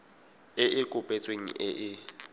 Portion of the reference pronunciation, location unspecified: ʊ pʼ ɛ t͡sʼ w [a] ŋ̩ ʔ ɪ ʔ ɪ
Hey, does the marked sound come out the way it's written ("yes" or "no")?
no